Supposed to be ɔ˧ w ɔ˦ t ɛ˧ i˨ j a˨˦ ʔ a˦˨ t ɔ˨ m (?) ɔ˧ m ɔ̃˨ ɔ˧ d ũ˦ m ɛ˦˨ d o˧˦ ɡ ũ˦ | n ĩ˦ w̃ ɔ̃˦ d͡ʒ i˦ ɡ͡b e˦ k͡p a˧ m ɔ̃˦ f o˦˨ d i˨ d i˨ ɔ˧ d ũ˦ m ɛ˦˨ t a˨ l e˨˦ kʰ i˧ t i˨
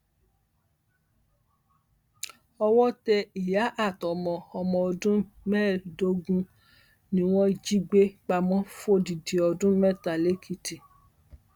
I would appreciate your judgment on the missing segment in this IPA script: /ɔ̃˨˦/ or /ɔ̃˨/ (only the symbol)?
ɔ̃˨